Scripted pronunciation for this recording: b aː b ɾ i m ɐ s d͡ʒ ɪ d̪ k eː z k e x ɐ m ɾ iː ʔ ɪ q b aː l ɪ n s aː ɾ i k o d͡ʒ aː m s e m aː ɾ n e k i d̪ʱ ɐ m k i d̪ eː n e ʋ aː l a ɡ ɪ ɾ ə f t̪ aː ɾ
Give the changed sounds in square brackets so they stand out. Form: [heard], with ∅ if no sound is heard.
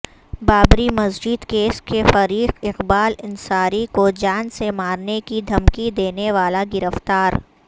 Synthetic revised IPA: b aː b ɾ i m ɐ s d͡ʒ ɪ d̪ k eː [s] k e [f] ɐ [∅] ɾ iː [q] ɪ q b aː l ɪ n s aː ɾ i k o d͡ʒ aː [n] s e m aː ɾ n e k i d̪ʱ ɐ m k i d̪ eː n e ʋ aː l a ɡ ɪ ɾ ə f t̪ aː ɾ